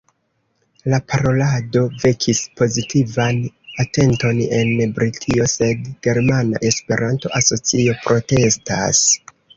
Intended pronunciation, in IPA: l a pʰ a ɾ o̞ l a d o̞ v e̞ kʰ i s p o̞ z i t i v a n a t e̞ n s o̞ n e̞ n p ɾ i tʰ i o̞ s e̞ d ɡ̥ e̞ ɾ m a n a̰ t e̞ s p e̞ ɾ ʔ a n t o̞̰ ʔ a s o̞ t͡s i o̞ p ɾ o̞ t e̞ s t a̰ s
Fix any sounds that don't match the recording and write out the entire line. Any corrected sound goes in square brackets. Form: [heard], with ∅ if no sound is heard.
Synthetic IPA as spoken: l a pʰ a ɾ o̞ l a d o̞ v e̞ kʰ i s p o̞ z i t i v a n a t e̞ n [t] o̞ n e̞ n [b] ɾ i tʰ i o̞ s e̞ d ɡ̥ e̞ ɾ m a n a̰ [ʔ] e̞ s p e̞ ɾ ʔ a n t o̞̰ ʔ a s o̞ t͡s i o̞ p ɾ o̞ t e̞ s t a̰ s